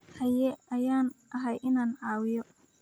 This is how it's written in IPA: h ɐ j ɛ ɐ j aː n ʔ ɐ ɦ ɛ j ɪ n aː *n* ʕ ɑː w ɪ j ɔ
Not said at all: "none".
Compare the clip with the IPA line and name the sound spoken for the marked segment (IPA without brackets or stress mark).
n